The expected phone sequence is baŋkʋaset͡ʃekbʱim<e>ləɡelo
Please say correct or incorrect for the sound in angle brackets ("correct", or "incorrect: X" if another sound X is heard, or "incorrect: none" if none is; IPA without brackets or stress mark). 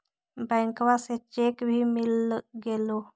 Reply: incorrect: i